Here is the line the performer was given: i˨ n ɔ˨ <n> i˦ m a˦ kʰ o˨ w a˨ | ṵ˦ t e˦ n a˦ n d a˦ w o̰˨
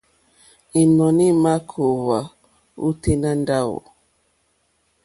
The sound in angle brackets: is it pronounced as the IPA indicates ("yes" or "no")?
yes